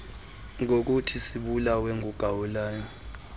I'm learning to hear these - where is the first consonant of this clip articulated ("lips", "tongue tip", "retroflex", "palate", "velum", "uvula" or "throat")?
velum